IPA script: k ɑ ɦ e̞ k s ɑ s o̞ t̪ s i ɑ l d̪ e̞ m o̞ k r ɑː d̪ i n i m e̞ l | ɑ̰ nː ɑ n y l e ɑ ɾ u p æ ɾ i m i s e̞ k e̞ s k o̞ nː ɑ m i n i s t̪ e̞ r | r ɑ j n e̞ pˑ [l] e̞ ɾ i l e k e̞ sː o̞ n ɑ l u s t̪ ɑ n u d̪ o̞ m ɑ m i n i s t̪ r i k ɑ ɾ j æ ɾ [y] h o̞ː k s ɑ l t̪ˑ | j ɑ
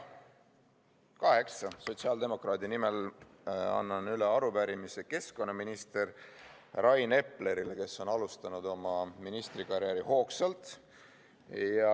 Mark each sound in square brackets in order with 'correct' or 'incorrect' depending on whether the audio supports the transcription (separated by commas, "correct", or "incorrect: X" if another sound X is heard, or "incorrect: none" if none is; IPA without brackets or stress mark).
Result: correct, incorrect: i